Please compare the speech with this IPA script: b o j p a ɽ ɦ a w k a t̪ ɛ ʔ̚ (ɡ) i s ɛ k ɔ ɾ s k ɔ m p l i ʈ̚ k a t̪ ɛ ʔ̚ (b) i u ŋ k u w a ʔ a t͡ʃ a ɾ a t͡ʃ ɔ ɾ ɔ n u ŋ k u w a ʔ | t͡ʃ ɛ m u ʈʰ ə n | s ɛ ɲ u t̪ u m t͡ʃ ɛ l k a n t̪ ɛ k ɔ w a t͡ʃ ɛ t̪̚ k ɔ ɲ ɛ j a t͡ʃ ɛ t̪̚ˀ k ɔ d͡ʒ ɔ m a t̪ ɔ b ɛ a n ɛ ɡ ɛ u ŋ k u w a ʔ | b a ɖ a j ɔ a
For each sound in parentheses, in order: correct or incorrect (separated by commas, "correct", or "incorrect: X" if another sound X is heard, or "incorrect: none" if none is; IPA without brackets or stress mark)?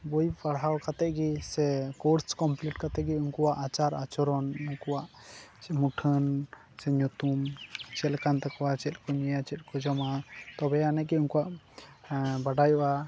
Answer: correct, incorrect: ɡ